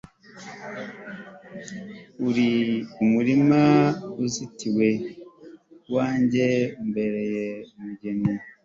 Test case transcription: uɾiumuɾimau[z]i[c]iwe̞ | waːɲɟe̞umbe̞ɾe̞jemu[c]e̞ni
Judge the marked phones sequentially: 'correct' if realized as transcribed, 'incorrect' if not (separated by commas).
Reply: correct, incorrect, incorrect